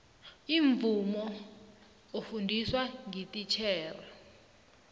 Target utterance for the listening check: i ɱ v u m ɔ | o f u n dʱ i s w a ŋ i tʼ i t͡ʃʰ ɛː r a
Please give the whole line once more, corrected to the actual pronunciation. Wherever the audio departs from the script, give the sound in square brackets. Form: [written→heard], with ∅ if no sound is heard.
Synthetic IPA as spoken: i ɱ v u m ɔ | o f u n dʱ i s w a ŋ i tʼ i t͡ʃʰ ɛː r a